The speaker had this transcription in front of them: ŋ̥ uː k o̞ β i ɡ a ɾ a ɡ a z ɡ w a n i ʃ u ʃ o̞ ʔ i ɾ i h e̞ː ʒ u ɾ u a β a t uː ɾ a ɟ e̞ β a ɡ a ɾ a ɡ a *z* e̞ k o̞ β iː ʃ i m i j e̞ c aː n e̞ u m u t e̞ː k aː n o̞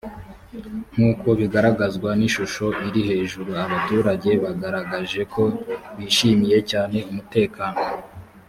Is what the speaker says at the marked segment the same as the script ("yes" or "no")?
no